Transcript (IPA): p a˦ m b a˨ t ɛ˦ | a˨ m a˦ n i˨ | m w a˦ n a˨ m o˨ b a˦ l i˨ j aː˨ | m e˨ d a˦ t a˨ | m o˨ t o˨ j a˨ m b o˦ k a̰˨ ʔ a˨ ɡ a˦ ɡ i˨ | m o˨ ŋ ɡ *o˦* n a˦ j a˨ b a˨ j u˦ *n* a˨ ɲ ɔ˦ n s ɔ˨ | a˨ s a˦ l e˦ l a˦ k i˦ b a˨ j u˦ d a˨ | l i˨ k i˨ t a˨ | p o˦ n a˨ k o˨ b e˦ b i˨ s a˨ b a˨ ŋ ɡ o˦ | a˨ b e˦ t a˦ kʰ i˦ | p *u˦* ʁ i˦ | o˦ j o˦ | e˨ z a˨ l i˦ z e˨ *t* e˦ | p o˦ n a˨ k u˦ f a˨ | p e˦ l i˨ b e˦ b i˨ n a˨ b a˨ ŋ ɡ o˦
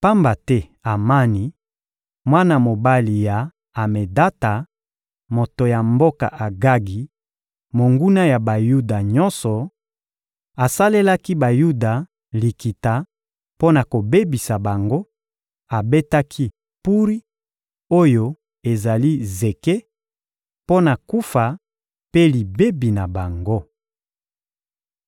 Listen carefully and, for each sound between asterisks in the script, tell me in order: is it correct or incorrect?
incorrect: u˦, incorrect: d, correct, incorrect: k

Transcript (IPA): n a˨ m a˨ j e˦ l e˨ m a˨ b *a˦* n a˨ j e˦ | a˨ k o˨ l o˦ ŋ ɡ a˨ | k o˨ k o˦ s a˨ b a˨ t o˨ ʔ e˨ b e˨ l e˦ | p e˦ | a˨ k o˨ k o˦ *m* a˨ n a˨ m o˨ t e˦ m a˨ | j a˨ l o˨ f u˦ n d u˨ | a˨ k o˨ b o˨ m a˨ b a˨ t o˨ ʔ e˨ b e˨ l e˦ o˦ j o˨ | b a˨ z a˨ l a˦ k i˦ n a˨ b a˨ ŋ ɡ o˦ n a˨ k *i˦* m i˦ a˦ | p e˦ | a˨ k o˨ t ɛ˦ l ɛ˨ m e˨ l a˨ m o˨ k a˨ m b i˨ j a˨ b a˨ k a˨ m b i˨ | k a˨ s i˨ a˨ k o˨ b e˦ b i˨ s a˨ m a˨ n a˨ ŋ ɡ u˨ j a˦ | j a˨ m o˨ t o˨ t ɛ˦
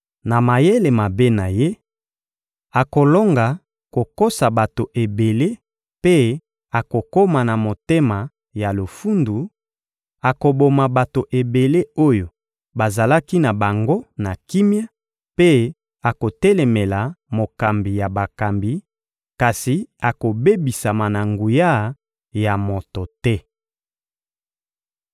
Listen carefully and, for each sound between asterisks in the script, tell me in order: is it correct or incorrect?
incorrect: e˦, correct, correct

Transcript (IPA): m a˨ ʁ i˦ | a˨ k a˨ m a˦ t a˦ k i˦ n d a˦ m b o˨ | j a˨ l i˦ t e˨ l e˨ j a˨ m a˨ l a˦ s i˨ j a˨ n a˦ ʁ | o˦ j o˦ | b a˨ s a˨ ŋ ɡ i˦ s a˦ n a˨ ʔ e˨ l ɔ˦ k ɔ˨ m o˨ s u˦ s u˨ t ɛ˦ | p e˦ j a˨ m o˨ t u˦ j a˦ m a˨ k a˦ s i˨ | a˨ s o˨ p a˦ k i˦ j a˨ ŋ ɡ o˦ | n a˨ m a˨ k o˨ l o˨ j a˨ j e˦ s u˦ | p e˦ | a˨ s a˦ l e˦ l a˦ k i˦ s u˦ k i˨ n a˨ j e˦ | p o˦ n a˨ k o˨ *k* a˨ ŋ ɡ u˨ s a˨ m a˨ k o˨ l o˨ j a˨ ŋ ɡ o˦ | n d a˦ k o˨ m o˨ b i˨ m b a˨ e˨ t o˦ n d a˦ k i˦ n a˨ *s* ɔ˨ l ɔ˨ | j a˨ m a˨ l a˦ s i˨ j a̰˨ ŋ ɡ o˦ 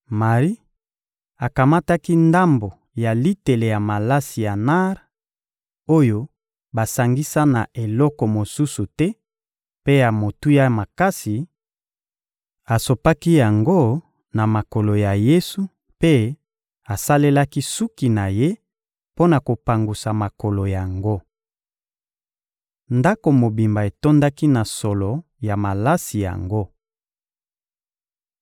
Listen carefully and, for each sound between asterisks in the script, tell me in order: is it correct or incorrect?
incorrect: p, correct

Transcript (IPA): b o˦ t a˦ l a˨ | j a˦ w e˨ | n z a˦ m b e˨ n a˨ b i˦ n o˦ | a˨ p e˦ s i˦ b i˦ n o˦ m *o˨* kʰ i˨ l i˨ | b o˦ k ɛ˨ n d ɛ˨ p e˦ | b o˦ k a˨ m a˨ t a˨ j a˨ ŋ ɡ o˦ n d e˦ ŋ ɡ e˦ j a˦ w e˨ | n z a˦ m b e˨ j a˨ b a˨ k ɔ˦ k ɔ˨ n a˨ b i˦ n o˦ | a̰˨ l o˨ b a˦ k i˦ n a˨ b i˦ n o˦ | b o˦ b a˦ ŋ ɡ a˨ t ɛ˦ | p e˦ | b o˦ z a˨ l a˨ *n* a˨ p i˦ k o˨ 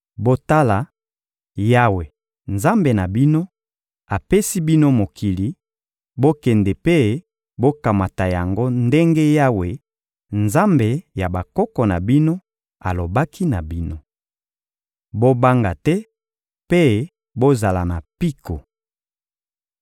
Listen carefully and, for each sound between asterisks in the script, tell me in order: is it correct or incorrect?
correct, correct

